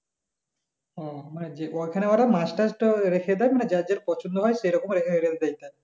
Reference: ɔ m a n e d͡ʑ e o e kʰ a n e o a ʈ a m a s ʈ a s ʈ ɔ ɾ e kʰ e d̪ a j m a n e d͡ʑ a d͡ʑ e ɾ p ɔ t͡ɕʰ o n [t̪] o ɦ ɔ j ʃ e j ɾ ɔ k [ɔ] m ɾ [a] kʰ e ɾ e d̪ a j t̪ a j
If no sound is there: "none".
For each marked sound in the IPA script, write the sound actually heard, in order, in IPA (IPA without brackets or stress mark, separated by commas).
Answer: d̪, o, e